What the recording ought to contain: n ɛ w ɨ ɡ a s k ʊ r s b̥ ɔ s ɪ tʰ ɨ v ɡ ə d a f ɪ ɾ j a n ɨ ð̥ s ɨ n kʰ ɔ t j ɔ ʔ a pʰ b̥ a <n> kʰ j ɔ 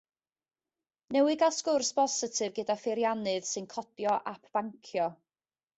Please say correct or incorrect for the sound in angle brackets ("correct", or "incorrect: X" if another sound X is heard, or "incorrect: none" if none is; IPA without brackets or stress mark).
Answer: incorrect: ŋ